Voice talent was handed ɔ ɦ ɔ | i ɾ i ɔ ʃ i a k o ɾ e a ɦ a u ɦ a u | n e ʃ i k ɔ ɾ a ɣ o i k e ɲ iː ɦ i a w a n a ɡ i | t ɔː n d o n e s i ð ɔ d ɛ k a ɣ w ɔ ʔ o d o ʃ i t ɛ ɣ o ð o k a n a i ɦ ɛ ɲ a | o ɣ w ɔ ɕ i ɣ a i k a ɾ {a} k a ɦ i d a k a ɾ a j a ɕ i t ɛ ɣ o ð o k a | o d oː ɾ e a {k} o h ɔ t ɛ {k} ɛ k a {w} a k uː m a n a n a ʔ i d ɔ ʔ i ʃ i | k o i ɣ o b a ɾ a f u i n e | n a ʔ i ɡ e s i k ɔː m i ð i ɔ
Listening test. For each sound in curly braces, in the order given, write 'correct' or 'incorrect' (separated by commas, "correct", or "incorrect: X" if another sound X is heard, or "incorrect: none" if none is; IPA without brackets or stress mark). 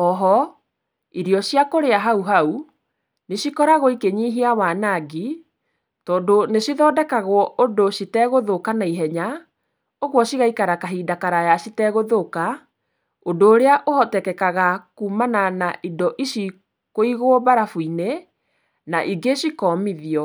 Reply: correct, incorrect: ʔ, correct, incorrect: ɣ